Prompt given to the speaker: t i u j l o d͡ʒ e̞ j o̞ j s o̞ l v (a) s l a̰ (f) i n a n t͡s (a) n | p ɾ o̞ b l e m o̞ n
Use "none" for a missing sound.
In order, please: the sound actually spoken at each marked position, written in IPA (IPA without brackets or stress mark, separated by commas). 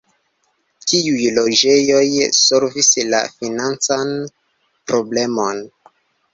i, f, a